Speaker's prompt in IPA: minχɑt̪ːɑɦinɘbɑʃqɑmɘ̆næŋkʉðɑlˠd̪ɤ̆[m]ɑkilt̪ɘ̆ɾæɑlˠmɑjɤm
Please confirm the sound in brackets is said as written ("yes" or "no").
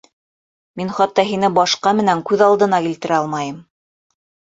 no